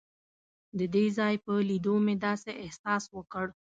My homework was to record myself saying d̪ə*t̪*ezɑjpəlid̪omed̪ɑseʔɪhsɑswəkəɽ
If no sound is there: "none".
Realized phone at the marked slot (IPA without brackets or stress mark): d̪